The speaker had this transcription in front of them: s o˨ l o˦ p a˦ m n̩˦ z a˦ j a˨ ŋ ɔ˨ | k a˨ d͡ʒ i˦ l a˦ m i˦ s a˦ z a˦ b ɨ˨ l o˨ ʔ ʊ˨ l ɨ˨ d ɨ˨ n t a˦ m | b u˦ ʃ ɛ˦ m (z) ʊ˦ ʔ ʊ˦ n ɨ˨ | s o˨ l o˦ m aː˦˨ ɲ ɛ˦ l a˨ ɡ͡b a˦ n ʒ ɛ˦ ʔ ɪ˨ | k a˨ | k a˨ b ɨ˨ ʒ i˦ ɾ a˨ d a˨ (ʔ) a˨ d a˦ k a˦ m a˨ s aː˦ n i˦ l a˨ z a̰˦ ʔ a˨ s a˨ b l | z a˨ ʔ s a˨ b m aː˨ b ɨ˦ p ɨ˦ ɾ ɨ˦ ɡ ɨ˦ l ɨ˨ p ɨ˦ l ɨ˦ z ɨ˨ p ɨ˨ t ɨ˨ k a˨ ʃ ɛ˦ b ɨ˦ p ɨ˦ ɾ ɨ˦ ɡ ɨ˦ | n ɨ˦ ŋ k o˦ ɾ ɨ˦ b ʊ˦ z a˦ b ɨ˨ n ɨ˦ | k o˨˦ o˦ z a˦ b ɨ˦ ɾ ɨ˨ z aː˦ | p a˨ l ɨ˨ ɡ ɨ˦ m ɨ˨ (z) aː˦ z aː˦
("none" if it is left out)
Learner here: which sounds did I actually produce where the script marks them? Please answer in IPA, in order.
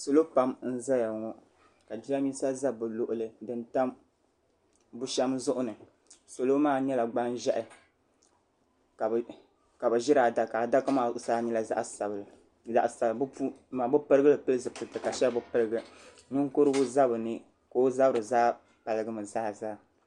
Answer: z, k, z

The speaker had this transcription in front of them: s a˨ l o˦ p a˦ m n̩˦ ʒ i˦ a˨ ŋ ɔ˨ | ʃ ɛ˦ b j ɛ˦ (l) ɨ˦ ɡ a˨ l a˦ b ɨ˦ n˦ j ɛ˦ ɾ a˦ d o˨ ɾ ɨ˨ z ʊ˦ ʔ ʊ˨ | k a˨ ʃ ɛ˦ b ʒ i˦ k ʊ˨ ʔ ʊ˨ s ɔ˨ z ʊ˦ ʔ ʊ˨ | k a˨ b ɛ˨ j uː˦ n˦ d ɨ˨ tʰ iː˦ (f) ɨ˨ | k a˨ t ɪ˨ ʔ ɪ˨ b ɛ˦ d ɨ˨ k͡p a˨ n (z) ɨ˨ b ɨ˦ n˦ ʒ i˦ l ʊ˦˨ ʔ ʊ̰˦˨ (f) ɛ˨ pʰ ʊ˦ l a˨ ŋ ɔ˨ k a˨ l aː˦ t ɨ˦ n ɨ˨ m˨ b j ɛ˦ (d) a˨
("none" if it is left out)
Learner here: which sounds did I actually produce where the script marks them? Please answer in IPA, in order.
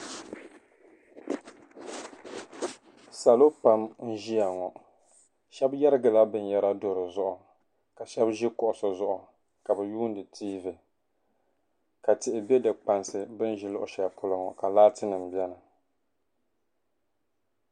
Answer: ɾ, v, s, ʃ, n

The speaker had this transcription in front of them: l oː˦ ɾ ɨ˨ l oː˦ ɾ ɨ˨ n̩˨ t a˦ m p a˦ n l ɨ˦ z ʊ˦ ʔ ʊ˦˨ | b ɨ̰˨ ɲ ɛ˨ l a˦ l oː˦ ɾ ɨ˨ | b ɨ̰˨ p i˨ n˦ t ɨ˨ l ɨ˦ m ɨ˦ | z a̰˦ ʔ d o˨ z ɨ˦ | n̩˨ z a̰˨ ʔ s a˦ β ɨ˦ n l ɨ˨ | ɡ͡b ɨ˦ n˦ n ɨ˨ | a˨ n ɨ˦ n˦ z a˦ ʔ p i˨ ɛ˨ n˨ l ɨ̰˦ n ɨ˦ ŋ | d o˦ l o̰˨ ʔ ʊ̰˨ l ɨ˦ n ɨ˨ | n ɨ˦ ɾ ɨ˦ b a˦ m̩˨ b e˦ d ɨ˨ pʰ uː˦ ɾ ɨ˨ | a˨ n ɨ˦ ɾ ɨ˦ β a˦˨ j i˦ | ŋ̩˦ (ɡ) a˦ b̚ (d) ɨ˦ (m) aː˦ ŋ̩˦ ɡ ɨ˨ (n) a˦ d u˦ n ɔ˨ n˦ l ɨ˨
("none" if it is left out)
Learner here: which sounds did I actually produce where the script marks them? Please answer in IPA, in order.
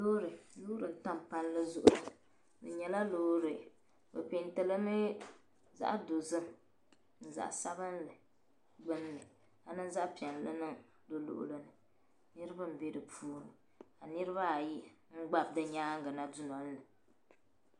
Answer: ɡ͡b, d, ɲ, n

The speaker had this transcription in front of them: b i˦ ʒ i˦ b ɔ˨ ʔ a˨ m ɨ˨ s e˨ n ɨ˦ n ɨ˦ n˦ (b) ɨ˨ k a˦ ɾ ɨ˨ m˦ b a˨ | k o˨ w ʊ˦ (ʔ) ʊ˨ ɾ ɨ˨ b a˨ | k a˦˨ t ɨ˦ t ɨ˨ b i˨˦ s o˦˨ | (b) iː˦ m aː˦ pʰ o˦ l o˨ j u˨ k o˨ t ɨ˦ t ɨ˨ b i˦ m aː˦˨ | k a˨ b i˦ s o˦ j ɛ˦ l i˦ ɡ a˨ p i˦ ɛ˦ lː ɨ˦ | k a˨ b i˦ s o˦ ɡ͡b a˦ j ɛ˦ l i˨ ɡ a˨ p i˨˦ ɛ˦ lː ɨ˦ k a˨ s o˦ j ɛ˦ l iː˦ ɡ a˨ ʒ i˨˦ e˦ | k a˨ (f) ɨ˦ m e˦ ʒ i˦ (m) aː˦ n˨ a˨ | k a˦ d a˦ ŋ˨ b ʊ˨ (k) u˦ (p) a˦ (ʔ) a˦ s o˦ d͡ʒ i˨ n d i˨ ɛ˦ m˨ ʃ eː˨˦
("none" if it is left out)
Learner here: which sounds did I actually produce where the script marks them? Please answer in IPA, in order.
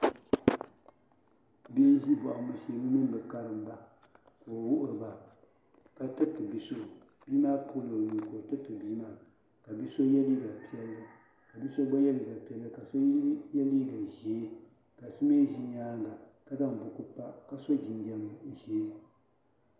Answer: b, ʔ, b, s, ɲ, k, p, k

